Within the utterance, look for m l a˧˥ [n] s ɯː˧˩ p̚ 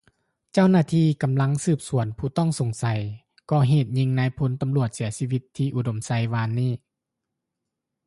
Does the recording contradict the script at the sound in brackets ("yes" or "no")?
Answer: yes